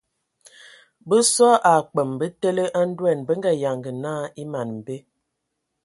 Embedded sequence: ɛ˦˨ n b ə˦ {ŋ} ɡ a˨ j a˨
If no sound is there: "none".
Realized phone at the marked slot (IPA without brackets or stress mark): ŋ